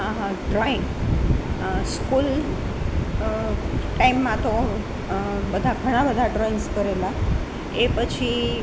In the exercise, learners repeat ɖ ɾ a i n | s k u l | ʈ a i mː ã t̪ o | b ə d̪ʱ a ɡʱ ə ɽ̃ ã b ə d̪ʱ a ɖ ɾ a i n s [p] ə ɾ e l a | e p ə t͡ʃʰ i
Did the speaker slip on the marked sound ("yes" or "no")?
yes